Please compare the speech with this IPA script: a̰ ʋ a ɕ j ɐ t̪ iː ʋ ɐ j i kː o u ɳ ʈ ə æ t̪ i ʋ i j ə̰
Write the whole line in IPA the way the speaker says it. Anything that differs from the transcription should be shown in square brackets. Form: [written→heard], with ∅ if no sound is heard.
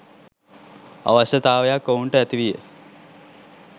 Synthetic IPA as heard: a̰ ʋ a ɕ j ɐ t̪ [iː→aː] ʋ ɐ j [i→a] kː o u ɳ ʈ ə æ t̪ i ʋ i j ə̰